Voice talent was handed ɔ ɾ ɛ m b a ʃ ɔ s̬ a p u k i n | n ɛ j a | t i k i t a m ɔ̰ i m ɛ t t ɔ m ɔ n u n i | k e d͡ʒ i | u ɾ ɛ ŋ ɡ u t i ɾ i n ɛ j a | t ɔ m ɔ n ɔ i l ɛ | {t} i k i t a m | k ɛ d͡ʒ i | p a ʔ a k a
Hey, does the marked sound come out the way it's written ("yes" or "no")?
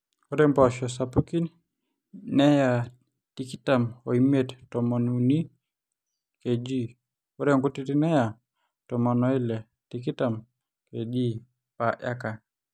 yes